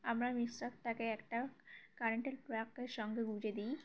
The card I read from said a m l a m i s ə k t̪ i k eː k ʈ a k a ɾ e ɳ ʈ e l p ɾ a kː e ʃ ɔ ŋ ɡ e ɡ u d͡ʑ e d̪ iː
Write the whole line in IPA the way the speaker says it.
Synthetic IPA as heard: a m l a m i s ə k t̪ a k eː k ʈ a k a ɾ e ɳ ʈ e l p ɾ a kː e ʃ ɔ ŋ ɡ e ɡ u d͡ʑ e d̪ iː